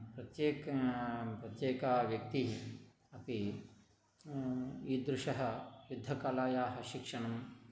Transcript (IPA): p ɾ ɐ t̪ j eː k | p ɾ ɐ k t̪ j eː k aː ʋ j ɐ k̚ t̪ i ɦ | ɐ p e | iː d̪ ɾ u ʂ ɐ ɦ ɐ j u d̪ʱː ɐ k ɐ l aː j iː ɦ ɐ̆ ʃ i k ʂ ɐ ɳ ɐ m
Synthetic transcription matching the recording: p ɾ ɐ t̪ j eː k | p ɾ ɐ t̪ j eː k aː ʋ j ɐ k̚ t̪ i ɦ | ɐ p i | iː d̪ ɾ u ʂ ɐ ɦ ɐ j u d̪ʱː ɐ k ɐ l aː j aː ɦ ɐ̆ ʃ i k ʂ ɐ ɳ ɐ m